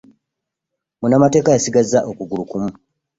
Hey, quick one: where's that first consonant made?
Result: lips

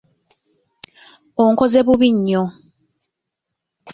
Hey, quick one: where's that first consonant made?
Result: velum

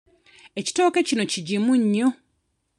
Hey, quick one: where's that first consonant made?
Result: palate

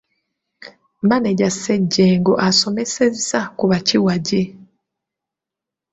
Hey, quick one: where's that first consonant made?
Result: lips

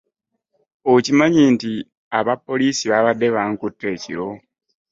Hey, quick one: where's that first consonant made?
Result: palate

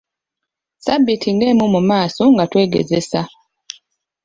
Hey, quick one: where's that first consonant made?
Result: tongue tip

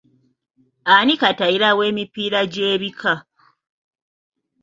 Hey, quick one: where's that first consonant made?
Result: tongue tip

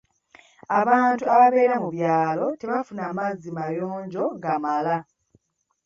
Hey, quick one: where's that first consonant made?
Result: lips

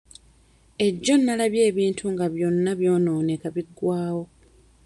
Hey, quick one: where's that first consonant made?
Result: palate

